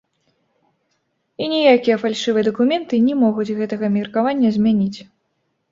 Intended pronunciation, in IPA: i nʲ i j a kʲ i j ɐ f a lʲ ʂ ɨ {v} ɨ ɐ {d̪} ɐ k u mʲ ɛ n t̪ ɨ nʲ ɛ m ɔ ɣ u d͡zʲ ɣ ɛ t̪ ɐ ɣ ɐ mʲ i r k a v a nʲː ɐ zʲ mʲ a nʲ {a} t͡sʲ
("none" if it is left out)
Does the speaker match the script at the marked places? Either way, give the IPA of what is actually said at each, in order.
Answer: v, d̪, i

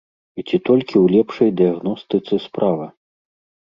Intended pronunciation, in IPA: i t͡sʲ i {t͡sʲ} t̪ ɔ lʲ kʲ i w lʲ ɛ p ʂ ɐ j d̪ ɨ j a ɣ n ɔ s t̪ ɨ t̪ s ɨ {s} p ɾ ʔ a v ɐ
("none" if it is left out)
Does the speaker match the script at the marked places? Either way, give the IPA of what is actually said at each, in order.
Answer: none, s

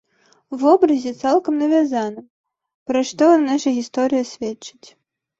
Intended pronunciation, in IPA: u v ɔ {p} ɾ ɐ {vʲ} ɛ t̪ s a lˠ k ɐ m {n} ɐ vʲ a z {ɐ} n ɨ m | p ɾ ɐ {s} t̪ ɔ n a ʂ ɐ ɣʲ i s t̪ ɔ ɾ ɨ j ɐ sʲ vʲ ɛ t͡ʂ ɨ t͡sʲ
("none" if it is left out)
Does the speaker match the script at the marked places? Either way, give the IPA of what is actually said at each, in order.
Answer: b, zʲ, n, a, ʂ

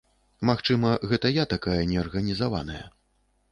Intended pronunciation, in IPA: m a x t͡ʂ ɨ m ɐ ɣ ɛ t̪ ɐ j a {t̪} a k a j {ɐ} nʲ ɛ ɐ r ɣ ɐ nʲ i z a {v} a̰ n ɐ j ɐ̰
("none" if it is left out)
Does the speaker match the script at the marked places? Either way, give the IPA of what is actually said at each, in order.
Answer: t̪, ɐ, v

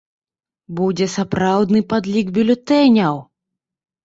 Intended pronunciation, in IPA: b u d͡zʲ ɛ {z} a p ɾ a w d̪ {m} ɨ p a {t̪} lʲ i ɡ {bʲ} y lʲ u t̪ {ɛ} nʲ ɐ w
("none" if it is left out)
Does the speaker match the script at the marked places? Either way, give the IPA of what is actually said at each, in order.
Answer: s, n, d̪, bʲ, ɛ

